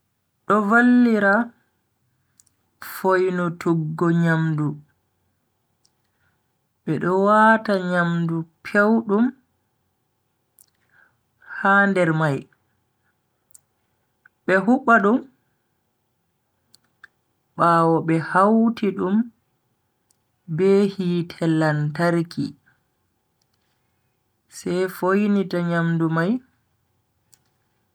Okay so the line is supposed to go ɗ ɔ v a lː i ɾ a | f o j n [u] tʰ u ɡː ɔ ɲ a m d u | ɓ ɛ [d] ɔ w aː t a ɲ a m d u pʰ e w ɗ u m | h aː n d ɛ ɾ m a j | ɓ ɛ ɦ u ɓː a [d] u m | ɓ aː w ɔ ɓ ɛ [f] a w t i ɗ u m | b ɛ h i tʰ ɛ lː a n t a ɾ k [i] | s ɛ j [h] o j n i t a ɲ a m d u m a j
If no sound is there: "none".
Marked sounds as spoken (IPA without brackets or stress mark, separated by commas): ɔ, ɗ, ɗ, h, i, f